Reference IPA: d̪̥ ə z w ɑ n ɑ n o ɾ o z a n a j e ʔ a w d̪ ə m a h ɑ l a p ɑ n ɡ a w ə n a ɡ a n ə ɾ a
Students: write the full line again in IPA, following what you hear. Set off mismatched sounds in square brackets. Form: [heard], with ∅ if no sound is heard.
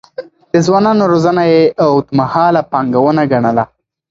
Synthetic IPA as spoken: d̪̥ ə z w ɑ n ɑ n o ɾ o z a n a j e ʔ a w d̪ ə m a h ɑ l a p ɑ [ŋ] ɡ a w ə n a ɡ a [ɳ] ə [l] a